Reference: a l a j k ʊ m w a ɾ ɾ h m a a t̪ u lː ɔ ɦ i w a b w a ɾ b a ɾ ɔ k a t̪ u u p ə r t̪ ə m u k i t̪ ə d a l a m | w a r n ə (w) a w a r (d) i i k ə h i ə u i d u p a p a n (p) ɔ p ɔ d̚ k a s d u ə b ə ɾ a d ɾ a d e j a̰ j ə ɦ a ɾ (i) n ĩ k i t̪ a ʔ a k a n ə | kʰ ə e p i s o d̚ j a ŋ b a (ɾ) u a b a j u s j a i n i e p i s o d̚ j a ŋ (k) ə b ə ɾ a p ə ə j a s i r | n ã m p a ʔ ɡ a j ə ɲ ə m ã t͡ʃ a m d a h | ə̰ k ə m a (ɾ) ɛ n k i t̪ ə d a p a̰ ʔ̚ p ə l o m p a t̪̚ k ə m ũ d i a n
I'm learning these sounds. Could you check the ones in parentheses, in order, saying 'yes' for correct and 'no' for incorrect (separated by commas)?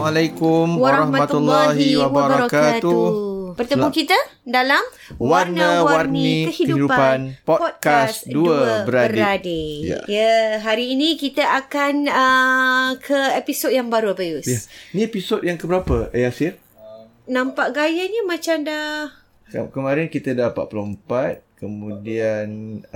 yes, no, yes, no, yes, yes, yes